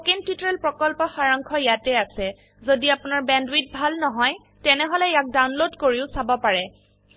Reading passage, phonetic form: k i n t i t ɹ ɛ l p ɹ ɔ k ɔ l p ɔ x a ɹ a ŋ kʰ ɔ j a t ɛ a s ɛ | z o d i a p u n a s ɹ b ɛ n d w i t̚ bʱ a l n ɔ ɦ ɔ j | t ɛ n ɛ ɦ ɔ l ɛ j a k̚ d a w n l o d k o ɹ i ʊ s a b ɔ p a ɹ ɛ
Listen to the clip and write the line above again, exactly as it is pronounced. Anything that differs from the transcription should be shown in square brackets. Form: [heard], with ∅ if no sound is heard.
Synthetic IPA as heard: k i n t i t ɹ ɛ l p ɹ ɔ k ɔ l p ɔ x a ɹ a ŋ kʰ ɔ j a t ɛ a s ɛ | z o d i a p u n a [∅] ɹ b ɛ n d w i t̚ bʱ a l n ɔ ɦ ɔ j | t ɛ n ɛ ɦ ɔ l ɛ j a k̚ d a w n l o d k o ɹ i ʊ s a b ɔ p a ɹ ɛ